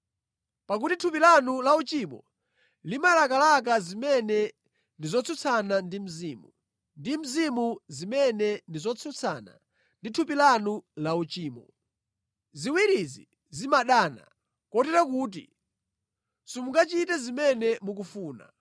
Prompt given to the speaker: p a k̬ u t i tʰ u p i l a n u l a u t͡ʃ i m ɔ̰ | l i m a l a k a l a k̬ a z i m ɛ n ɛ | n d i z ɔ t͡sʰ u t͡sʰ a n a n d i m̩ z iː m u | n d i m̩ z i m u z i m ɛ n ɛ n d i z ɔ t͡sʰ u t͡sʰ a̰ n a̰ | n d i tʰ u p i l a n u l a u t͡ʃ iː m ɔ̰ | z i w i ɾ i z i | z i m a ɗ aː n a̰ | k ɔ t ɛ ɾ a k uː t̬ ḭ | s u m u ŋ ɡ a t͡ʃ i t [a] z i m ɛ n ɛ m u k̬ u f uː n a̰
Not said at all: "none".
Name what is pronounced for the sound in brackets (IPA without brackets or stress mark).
ɛ